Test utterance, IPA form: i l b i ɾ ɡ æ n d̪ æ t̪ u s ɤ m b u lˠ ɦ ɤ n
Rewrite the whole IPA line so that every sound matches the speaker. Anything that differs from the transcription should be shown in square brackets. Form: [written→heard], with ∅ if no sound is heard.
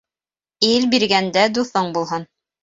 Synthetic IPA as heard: i l b i ɾ ɡ æ n d̪ æ [t̪→d̪] u [s→θ] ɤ [m→ɴ] b u lˠ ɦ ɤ n